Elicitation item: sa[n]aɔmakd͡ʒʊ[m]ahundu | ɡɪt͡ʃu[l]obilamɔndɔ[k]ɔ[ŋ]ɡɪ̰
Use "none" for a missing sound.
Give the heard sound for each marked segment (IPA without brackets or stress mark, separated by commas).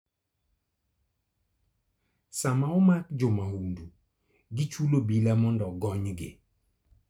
m, m, l, ɡ, ɲ